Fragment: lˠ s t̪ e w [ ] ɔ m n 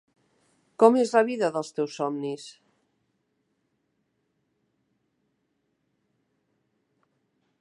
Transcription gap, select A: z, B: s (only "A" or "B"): B